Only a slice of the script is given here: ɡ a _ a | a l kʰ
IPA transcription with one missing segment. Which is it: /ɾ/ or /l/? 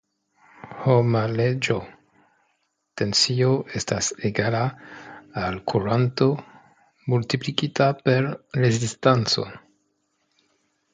l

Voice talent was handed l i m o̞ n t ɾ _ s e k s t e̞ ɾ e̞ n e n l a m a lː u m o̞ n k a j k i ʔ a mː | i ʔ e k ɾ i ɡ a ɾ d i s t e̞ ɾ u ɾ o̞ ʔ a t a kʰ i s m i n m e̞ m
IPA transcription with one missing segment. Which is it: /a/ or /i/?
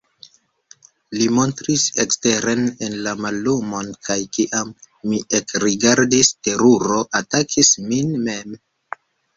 i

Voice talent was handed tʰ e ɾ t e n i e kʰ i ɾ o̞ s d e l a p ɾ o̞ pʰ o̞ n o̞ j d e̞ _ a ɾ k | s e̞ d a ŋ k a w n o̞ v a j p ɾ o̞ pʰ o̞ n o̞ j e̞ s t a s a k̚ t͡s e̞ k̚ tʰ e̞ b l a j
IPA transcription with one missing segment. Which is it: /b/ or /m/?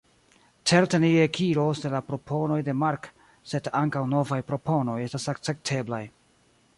m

